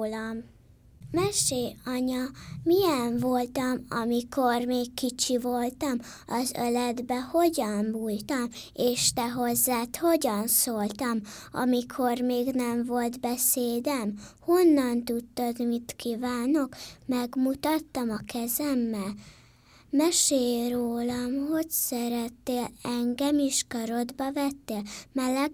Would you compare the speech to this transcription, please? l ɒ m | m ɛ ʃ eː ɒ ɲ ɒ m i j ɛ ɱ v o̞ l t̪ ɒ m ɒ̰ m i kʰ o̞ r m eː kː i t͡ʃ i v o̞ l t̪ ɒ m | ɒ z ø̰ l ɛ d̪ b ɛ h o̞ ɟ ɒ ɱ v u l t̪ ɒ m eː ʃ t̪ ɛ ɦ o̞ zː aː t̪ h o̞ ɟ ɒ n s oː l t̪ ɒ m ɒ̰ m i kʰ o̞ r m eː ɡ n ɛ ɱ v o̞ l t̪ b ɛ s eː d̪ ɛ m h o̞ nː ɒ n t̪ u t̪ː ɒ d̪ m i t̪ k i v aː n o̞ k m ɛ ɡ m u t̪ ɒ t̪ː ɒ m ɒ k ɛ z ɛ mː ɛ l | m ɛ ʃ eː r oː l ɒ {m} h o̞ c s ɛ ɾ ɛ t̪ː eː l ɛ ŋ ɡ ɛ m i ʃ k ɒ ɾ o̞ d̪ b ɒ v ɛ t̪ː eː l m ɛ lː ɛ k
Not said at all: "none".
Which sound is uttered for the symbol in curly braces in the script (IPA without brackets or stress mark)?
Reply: m